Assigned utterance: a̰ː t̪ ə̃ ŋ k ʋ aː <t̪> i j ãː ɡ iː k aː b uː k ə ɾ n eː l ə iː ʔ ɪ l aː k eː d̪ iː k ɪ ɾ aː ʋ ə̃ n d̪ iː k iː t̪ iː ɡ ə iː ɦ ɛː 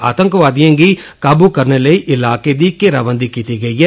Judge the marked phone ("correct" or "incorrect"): incorrect